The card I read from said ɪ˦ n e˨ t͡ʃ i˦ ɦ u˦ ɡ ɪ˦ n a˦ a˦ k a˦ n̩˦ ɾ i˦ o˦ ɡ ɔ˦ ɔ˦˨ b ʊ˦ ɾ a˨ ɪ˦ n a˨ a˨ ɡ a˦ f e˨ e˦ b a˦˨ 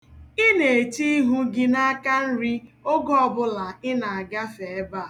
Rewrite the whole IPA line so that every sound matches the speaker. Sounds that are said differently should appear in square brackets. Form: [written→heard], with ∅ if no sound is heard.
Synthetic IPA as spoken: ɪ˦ n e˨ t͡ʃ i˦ ɦ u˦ ɡ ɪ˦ n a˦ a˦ k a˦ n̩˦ ɾ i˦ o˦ ɡ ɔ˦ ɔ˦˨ b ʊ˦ [ɾ→l] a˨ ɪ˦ n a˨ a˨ ɡ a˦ f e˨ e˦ b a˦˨